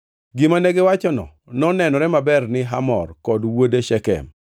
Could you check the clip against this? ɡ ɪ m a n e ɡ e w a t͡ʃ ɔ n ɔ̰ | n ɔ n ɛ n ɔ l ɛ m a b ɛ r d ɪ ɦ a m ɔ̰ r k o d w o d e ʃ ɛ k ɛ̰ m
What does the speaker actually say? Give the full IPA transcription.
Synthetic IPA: ɡ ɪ m a n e ɡ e w a t͡ʃ ɔ n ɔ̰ | n ɔ n ɛ n ɔ ɾ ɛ m a b ɛ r n ɪ ɦ a m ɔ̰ r k ɔ d w o d e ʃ ɛ k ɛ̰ m